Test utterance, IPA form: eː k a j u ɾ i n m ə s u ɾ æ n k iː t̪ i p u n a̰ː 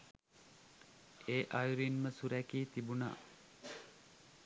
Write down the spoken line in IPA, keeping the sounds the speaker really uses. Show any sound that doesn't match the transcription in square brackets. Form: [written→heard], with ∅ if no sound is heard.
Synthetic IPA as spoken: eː [k→ʔ] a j u ɾ i n m ə s u ɾ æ [n→∅] k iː t̪ i [p→b] u n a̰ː